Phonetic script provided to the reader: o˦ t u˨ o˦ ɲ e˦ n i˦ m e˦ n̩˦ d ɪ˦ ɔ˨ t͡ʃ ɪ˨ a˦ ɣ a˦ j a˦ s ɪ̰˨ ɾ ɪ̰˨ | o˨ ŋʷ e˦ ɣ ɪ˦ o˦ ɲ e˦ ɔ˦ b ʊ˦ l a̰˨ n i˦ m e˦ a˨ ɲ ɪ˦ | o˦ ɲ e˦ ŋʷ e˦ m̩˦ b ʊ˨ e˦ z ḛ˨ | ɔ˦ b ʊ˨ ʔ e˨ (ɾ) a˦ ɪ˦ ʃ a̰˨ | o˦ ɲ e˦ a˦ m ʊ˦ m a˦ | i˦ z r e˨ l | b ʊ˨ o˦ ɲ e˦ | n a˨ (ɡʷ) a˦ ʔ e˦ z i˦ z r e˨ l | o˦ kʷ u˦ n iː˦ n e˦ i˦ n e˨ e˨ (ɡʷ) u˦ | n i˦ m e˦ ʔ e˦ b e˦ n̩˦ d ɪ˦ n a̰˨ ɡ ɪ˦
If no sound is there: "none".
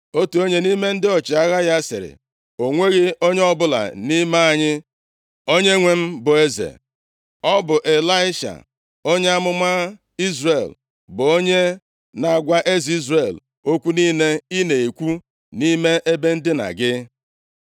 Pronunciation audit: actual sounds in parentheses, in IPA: l, ɡʷ, kʷ

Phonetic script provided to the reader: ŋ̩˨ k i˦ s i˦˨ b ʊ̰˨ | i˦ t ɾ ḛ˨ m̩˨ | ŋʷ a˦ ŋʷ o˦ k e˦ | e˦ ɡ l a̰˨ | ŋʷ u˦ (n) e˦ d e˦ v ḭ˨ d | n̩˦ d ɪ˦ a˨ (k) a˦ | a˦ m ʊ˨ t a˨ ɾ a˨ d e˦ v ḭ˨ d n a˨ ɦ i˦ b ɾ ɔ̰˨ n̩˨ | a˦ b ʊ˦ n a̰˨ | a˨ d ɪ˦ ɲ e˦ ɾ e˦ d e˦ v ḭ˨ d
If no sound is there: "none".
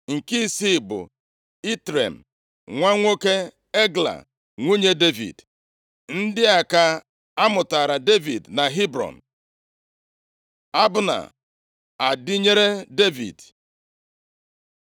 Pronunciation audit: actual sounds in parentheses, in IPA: ɲ, k

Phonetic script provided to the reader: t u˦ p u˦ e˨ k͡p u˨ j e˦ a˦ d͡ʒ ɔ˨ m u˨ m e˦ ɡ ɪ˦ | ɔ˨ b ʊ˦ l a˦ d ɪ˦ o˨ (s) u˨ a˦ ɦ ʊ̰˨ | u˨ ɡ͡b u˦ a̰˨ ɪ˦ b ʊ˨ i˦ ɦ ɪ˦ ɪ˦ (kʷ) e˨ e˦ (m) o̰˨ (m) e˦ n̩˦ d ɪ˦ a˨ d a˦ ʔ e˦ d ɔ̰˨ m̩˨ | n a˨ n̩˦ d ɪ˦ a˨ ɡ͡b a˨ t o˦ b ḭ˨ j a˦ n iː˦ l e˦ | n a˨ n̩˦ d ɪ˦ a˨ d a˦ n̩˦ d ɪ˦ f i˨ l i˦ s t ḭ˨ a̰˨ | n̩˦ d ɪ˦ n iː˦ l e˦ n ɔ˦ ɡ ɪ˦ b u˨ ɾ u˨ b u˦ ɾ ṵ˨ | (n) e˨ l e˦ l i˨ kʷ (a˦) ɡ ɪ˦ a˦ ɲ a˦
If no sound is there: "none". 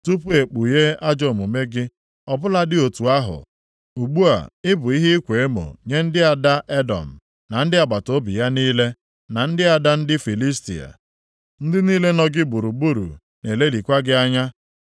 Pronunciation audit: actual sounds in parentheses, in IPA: t, kʷ, m, ɲ, n, a˦

